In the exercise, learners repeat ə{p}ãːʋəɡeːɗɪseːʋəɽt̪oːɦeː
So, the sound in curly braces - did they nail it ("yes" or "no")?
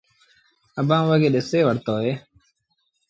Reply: no